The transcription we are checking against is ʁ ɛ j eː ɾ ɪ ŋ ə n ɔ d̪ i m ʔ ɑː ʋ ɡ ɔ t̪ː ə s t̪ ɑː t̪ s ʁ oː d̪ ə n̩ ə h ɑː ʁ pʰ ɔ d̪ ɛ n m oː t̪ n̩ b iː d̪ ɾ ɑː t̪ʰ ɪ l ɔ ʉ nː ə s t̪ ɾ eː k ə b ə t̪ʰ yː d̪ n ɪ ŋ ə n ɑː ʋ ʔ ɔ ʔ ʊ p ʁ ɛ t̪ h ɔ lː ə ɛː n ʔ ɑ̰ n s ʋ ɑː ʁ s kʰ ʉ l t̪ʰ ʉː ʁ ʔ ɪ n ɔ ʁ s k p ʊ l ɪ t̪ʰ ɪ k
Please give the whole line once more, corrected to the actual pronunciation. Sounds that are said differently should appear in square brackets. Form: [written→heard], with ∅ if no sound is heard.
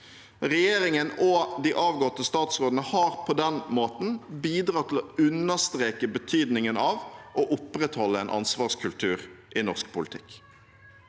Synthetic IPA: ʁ ɛ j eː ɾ ɪ ŋ ə n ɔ d̪ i [m→∅] ʔ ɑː ʋ ɡ ɔ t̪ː ə s t̪ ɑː t̪ s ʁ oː d̪ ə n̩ ə h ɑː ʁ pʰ ɔ d̪ ɛ n m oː t̪ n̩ b iː d̪ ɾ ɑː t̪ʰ ɪ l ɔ ʉ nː ə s t̪ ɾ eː k ə b ə t̪ʰ yː d̪ n ɪ ŋ ə n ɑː ʋ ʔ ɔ ʔ ʊ p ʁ ɛ t̪ h ɔ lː ə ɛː n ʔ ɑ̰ n s ʋ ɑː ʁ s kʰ ʉ l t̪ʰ ʉː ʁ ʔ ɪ n ɔ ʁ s k p ʊ l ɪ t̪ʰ ɪ k